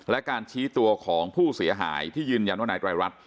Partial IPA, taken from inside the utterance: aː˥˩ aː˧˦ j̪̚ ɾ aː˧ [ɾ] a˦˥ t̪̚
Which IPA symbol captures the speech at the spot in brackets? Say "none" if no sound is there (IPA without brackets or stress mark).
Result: ɾ